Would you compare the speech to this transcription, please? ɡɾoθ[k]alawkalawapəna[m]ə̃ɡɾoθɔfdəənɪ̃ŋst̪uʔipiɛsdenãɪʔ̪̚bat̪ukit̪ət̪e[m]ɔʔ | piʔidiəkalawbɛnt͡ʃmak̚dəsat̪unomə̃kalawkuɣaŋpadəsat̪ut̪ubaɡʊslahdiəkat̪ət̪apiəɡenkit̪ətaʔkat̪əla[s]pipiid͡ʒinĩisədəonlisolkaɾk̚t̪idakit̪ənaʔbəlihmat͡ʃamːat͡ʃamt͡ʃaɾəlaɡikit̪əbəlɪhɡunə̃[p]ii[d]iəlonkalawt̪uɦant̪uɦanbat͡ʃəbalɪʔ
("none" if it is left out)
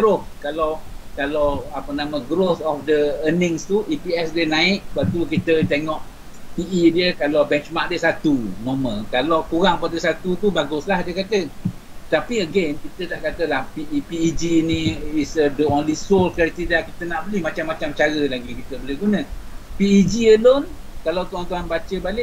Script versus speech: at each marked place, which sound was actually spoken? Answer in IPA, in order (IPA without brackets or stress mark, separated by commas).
k, m, ŋ, h, p, d͡ʒ